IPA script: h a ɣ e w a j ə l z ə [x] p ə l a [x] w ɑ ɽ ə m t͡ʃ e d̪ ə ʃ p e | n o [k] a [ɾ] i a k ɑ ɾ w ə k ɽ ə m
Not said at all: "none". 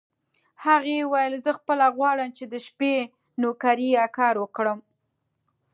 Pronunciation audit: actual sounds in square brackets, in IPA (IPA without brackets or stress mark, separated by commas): x, ɣ, k, ɾ